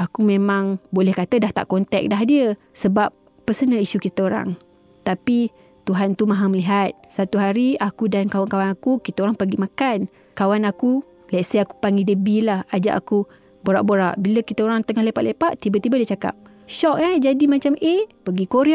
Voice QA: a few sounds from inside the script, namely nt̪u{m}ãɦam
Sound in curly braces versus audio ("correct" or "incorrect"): correct